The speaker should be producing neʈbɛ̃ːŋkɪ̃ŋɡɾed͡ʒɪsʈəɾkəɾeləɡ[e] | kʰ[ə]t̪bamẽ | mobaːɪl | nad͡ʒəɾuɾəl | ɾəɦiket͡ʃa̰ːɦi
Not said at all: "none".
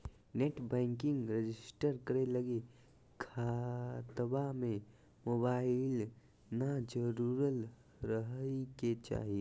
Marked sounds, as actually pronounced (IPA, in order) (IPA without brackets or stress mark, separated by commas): e, a